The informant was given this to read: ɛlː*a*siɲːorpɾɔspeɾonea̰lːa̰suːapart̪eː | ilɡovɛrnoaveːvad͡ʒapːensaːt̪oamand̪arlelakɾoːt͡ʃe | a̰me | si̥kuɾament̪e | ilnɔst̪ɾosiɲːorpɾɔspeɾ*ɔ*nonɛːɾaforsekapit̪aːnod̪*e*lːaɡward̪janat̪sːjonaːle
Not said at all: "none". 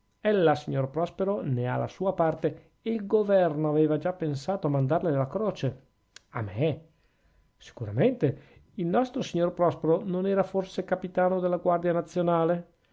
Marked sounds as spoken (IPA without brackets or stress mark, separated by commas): a, o, e